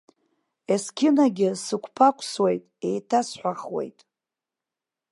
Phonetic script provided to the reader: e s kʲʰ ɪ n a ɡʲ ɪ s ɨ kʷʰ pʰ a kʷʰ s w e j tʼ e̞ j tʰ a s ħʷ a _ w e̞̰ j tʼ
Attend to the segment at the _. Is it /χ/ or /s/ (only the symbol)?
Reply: χ